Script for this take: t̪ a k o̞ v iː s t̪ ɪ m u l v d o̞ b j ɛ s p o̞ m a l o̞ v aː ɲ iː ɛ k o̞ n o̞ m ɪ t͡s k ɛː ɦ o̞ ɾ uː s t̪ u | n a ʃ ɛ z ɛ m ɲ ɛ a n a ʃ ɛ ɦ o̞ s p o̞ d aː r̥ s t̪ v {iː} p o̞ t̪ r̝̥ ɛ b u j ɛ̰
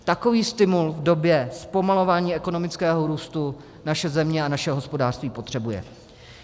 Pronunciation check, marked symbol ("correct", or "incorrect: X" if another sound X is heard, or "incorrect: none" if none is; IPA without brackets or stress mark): correct